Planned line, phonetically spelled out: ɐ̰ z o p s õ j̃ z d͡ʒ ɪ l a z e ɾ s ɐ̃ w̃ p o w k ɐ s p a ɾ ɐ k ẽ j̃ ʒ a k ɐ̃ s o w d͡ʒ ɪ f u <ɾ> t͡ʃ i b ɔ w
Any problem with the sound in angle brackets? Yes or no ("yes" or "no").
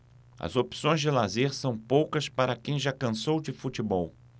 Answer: yes